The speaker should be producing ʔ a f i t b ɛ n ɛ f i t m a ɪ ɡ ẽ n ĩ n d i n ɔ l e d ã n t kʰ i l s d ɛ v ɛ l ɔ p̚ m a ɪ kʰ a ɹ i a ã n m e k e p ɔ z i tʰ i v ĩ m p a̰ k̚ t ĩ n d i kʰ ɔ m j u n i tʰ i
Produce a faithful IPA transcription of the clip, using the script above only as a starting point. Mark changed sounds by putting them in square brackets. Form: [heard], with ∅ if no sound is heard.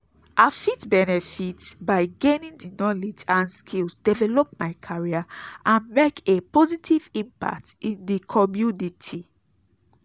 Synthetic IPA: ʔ a f i t b ɛ n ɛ f i t [b] a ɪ ɡ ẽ n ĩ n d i n ɔ l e [d͡ʒ] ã n [s] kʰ i l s d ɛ v ɛ l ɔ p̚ m a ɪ kʰ a ɹ i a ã n m e k e p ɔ z i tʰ i v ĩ m p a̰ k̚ t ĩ n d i kʰ ɔ m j u n i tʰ i